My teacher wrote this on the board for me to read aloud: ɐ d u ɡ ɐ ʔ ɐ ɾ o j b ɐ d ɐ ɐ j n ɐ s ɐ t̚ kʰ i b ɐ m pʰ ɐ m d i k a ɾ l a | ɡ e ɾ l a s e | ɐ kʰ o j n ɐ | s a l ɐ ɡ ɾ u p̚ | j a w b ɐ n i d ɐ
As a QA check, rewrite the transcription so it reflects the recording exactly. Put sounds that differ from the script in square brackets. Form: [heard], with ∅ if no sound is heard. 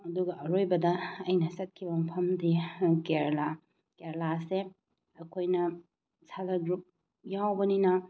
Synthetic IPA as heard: ɐ d u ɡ ɐ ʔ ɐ ɾ o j b ɐ d ɐ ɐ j n ɐ s ɐ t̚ kʰ i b ɐ m pʰ ɐ m d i k [e] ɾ l a | [k] e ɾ l a s e | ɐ kʰ o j n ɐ | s a l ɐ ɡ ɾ u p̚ | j a w b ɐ n i [n] ɐ